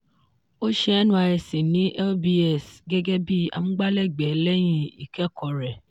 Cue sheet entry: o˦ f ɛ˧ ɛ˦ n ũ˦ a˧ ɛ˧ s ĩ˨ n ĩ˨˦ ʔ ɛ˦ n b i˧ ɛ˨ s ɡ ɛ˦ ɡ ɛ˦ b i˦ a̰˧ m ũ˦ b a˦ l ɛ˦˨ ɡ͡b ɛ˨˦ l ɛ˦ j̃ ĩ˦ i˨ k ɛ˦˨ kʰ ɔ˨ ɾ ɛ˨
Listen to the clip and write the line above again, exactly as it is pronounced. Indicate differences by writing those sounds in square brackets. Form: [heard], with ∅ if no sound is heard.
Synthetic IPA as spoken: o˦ [ʃ] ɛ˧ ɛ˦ n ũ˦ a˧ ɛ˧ s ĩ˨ n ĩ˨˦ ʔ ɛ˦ [∅] b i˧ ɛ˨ s ɡ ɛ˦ ɡ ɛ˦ b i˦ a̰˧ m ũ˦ [ɡ͡b] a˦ l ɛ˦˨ ɡ͡b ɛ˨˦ l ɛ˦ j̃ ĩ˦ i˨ k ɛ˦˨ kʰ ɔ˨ ɾ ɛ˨